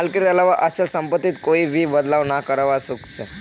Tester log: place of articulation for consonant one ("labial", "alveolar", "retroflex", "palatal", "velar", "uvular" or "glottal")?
alveolar